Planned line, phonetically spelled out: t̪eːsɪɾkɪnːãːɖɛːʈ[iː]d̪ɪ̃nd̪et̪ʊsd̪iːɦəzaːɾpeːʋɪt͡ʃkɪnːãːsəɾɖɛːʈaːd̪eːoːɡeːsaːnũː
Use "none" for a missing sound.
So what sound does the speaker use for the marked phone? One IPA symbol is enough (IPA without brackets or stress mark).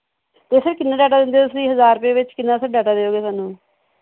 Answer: aː